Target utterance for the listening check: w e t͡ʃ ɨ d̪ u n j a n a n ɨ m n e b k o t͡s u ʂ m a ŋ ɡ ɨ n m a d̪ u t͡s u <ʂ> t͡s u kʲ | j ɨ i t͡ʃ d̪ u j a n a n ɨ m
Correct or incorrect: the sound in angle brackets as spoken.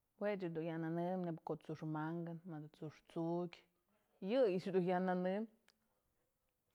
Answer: correct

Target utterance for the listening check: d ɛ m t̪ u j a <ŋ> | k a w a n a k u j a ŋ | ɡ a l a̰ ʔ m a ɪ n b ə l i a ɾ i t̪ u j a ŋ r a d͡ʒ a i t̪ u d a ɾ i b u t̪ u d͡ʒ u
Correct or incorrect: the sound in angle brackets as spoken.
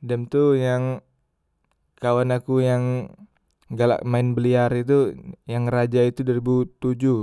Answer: correct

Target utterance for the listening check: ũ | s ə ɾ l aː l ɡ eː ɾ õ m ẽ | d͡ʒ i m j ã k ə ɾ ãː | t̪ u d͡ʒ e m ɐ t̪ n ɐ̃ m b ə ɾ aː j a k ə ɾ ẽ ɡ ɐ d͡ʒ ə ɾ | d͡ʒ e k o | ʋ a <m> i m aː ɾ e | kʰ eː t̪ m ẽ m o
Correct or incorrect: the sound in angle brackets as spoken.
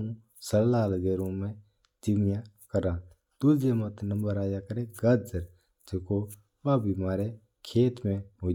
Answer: incorrect: b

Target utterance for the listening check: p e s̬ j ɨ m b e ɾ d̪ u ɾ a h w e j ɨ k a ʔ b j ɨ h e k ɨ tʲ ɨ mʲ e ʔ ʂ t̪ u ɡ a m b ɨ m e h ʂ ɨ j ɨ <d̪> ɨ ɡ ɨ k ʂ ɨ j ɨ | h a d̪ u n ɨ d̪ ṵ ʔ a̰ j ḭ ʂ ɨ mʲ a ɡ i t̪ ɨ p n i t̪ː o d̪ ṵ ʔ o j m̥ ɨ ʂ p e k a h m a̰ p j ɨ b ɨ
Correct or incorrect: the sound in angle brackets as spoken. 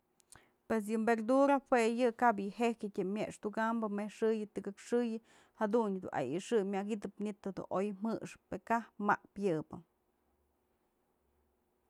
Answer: incorrect: t̪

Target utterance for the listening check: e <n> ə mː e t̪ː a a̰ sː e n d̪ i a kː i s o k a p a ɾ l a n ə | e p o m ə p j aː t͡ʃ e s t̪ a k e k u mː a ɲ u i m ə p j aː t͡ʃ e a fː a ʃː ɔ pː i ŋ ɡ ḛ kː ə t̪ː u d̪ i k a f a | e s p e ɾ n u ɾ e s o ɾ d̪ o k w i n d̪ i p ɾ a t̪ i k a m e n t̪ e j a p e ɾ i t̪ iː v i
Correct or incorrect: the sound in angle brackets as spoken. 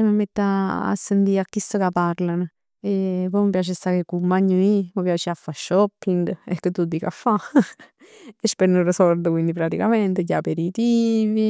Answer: incorrect: m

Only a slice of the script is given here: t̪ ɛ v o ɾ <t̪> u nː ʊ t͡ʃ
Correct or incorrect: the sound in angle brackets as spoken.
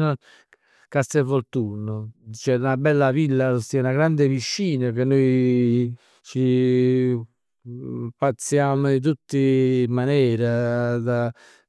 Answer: correct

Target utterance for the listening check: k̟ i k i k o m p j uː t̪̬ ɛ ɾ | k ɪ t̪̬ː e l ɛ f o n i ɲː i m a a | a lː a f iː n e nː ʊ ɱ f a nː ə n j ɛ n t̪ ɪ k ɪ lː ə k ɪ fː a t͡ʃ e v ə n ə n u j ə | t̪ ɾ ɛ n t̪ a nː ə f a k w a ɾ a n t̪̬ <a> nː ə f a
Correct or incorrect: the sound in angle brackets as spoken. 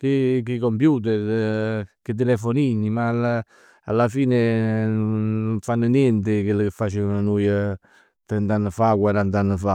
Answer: correct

